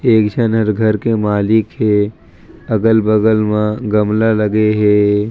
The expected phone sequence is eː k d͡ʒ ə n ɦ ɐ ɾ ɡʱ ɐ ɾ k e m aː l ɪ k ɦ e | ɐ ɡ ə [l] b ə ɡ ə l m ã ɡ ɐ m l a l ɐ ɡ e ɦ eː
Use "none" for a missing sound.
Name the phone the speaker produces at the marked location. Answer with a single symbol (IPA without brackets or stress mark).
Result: l